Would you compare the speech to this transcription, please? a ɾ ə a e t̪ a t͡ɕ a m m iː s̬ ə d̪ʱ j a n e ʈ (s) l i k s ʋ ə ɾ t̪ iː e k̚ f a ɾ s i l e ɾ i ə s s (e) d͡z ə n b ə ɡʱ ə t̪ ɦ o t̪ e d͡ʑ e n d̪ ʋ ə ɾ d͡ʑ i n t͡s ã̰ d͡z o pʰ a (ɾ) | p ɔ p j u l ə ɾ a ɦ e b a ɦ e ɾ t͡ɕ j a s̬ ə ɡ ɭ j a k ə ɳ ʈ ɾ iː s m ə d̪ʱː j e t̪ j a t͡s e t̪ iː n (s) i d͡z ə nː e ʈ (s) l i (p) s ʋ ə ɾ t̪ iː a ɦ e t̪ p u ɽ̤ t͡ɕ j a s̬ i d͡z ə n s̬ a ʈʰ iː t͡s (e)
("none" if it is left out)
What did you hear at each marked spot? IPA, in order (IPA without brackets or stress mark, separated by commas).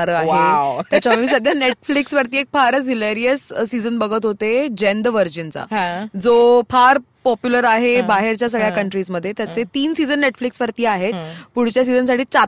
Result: f, i, ɾ, s, f, k, a